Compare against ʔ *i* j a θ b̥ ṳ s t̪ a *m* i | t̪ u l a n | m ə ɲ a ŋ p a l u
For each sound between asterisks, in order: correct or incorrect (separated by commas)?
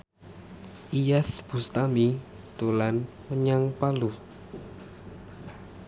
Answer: correct, correct